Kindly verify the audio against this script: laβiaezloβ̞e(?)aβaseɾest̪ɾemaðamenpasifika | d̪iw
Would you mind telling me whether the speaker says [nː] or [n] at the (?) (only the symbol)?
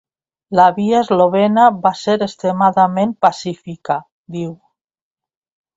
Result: n